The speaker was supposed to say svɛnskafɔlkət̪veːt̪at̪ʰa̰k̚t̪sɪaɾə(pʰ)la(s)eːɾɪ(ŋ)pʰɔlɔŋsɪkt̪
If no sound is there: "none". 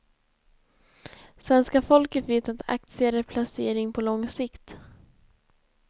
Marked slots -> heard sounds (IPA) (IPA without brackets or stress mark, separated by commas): pʰ, s, ŋ